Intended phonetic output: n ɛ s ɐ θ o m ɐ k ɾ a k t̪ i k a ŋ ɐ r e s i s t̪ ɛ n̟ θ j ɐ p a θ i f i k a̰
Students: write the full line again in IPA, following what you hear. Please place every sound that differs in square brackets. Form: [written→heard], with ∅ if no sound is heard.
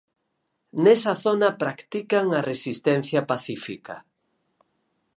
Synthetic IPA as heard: n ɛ s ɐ θ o [m→n] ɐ [k→p] ɾ a k t̪ i k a ŋ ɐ r e s i s t̪ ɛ n̟ θ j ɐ p a θ i f i k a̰